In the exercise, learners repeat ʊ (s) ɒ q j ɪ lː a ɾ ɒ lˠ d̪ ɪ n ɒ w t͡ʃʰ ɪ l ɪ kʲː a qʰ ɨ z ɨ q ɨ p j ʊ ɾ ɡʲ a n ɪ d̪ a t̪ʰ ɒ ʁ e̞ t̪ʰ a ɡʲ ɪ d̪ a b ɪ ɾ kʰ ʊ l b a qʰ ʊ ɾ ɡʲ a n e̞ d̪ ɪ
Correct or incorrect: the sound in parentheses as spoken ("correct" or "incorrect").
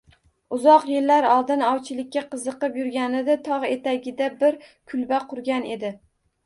incorrect